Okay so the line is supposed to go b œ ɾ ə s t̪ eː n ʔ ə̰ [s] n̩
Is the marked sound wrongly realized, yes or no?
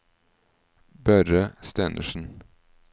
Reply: yes